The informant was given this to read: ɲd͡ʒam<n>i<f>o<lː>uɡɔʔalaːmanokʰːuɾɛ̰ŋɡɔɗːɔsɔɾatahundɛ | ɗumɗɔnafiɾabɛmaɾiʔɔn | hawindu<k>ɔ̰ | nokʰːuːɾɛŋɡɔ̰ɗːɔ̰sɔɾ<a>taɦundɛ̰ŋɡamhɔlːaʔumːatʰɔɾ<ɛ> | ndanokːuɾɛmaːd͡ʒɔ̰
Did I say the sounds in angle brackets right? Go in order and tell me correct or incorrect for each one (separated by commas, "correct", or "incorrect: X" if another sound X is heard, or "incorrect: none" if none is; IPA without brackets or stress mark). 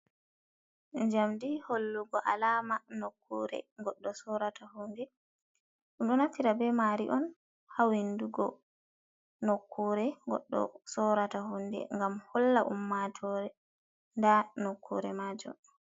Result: incorrect: d, incorrect: h, correct, incorrect: ɡ, correct, correct